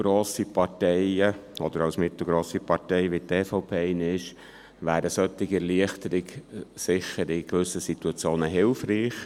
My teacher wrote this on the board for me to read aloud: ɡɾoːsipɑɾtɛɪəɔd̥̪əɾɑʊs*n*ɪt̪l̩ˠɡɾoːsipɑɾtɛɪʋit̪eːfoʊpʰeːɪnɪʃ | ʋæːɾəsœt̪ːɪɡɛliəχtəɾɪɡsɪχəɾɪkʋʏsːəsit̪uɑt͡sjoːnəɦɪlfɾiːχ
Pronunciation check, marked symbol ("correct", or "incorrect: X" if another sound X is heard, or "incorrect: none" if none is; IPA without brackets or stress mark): incorrect: m